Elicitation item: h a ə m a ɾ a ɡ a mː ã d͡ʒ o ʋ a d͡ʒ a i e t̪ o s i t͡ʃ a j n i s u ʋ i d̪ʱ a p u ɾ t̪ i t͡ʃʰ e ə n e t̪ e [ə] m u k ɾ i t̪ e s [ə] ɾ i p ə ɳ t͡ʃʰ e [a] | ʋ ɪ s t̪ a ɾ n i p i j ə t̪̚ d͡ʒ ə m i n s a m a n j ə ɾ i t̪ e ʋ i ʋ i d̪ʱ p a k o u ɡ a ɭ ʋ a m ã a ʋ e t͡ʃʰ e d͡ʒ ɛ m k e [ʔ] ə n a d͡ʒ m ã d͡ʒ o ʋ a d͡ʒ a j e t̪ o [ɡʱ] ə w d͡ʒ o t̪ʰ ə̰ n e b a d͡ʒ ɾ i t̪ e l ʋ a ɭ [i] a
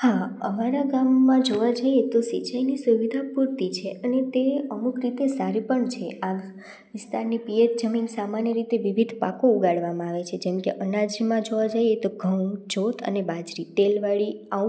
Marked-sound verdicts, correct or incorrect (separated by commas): correct, incorrect, correct, correct, correct, correct